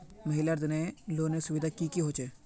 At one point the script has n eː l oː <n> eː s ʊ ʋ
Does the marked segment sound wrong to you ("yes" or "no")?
no